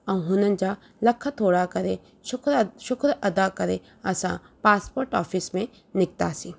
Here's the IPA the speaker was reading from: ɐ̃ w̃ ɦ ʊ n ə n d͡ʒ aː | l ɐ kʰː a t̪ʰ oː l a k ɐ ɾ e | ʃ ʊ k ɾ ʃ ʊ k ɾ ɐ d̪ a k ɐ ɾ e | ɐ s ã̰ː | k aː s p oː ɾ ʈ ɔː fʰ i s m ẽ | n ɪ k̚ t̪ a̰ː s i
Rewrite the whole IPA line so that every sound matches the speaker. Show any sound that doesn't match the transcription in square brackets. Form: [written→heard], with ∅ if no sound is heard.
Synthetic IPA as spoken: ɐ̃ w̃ ɦ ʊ n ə n d͡ʒ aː | l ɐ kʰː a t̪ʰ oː [l→ɽ] a k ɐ ɾ e | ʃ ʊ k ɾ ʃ ʊ k ɾ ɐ d̪ a k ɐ ɾ e | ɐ s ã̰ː | [k→p] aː s p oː ɾ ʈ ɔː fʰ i s m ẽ | n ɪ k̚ t̪ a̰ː s i